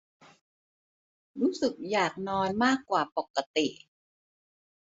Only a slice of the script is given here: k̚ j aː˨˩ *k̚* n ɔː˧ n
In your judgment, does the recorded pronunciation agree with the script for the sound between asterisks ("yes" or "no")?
yes